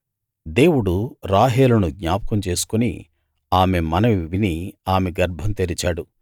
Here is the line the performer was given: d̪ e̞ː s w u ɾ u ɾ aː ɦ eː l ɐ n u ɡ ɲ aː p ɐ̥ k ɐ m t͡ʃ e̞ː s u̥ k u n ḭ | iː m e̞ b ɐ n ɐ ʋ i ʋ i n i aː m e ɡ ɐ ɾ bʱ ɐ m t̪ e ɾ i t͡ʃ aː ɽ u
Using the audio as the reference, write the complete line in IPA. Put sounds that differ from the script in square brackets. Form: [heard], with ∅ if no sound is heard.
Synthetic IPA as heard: d̪ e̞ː [∅] w u [ɽ] u ɾ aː ɦ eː l ɐ n u ɡ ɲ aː p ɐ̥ k ɐ m t͡ʃ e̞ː s u̥ k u n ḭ | [aː] m e̞ [m] ɐ n ɐ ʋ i ʋ i n i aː m e ɡ ɐ ɾ bʱ ɐ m t̪ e ɾ i t͡ʃ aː ɽ u